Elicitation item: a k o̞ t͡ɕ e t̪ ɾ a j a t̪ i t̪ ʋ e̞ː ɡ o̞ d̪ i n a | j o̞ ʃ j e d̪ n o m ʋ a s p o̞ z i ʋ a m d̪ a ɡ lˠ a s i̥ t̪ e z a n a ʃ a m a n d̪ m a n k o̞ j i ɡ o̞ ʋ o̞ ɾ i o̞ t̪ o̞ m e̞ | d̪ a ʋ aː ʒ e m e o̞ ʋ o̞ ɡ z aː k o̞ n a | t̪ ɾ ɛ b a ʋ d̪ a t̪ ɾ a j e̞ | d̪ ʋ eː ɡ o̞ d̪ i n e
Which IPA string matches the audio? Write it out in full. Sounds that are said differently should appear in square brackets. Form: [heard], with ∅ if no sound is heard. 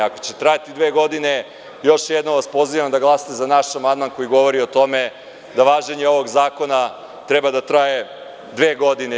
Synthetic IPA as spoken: a k o̞ t͡ɕ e t̪ ɾ a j a t̪ i [d̪] ʋ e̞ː ɡ o̞ d̪ i n [e] | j o̞ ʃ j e d̪ n o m ʋ a s p o̞ z i ʋ a m d̪ a ɡ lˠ a s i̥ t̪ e z a n a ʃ a m a n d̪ m a n k o̞ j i ɡ o̞ ʋ o̞ ɾ i o̞ t̪ o̞ m e̞ | d̪ a ʋ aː ʒ e [ɲ] e o̞ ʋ o̞ ɡ z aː k o̞ n a | t̪ ɾ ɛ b a [∅] d̪ a t̪ ɾ a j e̞ | d̪ ʋ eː ɡ o̞ d̪ i n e

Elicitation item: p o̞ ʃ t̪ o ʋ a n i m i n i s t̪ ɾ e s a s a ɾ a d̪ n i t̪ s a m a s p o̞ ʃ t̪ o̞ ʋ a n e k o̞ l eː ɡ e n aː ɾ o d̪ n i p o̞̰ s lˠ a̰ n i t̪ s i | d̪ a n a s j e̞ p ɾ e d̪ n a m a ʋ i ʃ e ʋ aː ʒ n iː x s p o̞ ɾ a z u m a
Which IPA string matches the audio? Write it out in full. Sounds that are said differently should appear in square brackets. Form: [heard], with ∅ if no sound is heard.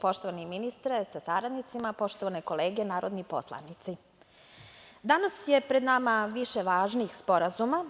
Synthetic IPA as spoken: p o̞ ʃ t̪ o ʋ a n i m i n i s t̪ ɾ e s a s a ɾ a d̪ n i t̪ s [i] m a [∅] p o̞ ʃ t̪ o̞ ʋ a n e k o̞ l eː ɡ e n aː ɾ o d̪ n i p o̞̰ s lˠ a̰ n i t̪ s i | d̪ a n a s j e̞ p ɾ e d̪ n a m a ʋ i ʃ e ʋ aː ʒ n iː x s p o̞ ɾ a z u m a

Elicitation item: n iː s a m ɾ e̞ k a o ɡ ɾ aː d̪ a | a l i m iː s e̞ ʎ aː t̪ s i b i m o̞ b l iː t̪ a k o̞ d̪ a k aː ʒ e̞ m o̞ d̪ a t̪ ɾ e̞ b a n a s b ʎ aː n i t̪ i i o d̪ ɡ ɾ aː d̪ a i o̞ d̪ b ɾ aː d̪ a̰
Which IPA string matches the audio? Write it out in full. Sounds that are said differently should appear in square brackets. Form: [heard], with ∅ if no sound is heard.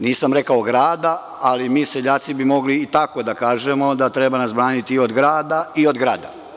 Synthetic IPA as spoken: n iː s a m ɾ e̞ k a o ɡ ɾ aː d̪ a | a l i m iː s e̞ ʎ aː t̪ s i b i m o̞ [ɡ] l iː t̪ a k o̞ d̪ a k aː ʒ e̞ m o̞ d̪ a t̪ ɾ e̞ b a n a s b [ɾ] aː n i t̪ i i o d̪ ɡ ɾ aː d̪ a i o̞ d̪ [ɡ] ɾ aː d̪ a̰

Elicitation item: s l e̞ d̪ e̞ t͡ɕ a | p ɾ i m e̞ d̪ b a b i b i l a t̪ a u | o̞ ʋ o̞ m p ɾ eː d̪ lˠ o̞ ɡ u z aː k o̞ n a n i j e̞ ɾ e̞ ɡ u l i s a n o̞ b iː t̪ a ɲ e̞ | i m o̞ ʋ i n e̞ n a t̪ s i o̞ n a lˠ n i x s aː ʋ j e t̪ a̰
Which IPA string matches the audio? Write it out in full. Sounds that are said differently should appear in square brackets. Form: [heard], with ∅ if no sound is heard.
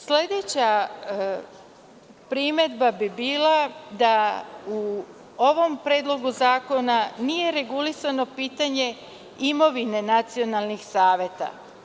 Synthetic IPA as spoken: s l e̞ d̪ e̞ t͡ɕ a | p ɾ i m e̞ d̪ b a b i b [iː] l a [d̪] a u | o̞ ʋ o̞ m p ɾ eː d̪ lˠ o̞ ɡ u z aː k o̞ n a n i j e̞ ɾ e̞ ɡ u l i s a n o̞ [p] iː t̪ a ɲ e̞ | i m o̞ ʋ i n e̞ n a t̪ s i o̞ n a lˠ n i x s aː ʋ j e t̪ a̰

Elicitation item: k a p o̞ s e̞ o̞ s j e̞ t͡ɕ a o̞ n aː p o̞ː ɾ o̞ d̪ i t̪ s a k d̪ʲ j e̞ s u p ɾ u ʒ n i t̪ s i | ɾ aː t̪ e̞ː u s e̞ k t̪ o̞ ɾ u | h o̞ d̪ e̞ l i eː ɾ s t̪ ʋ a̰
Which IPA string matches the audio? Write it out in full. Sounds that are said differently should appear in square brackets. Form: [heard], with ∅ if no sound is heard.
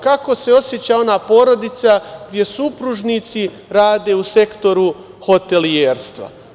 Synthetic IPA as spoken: k a [k] o̞ s e̞ o̞ s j e̞ t͡ɕ a o̞ n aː p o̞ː ɾ o̞ d̪ i t̪ s a [ɡ] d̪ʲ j e̞ s u p ɾ u ʒ n i t̪ s i | ɾ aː [d̪] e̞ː u s e̞ k t̪ o̞ ɾ u | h o̞ [t̪] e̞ l i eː ɾ s t̪ ʋ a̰

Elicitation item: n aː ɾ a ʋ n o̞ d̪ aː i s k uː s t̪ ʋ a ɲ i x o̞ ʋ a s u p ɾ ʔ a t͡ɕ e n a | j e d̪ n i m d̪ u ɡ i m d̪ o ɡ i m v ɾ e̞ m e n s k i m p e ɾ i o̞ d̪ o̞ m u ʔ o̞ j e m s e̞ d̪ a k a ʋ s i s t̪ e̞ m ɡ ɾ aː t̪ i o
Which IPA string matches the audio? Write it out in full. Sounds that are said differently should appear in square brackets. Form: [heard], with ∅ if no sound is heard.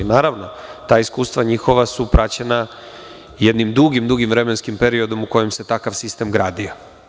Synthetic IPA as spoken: n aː ɾ a ʋ n o̞ [t̪] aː i s k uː s t̪ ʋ a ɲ i x o̞ ʋ a s u p ɾ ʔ a t͡ɕ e n a | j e d̪ n i m d̪ u ɡ i m d̪ [u] ɡ i m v ɾ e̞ m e n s k i m p e ɾ i o̞ d̪ o̞ m u [k] o̞ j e m s e̞ [t̪] a k a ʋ s i s t̪ e̞ m ɡ ɾ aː [d̪] i o

